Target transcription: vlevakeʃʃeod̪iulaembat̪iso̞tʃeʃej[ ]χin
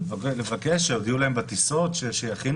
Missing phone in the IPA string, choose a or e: a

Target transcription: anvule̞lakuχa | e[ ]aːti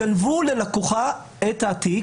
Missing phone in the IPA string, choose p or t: t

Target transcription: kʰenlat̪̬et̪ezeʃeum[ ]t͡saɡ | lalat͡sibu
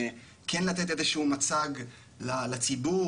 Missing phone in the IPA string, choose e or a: a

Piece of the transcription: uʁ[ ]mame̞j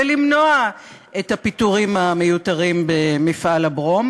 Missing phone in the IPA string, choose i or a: i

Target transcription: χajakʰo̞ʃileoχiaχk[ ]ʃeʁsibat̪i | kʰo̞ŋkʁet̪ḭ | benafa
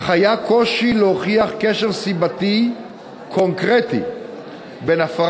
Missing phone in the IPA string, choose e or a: e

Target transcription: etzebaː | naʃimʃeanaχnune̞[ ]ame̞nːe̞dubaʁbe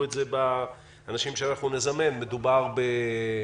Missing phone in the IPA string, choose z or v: z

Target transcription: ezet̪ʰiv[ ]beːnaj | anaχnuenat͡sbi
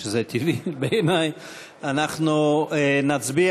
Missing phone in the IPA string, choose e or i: i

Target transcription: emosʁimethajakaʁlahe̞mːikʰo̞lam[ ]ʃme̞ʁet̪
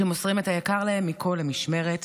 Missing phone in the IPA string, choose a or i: i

